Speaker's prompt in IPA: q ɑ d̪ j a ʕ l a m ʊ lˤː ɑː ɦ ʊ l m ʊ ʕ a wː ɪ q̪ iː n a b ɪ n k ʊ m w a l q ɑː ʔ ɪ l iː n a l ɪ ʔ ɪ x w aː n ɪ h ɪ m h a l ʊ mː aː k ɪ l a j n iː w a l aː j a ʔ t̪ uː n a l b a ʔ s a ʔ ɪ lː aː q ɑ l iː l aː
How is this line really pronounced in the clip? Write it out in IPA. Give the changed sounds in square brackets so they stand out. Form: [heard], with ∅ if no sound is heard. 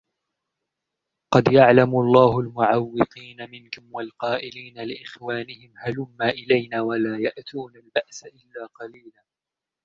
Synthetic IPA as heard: q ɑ d̪ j a ʕ l a m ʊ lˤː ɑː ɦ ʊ l m ʊ ʕ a wː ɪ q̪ iː n a [m] ɪ n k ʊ m w a l q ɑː ʔ ɪ l iː n a l ɪ ʔ ɪ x w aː n ɪ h ɪ m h a l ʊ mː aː [ʔ] ɪ l a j n [aː] w a l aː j a ʔ t̪ uː n a l b a ʔ s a ʔ ɪ lː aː q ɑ l iː l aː